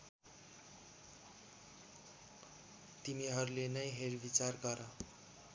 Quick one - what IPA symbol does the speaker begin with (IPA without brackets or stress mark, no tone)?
t̪